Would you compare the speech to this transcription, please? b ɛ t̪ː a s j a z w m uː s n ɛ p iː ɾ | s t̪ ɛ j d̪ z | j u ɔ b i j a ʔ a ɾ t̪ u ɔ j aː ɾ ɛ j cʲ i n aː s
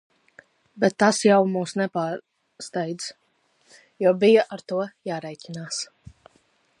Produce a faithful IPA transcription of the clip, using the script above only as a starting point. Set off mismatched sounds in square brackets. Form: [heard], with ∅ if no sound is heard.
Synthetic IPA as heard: b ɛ t̪ː a s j a [∅] w m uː s n ɛ p [aː] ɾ | s t̪ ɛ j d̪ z | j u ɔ b i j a ʔ a ɾ t̪ u ɔ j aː ɾ ɛ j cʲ i n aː s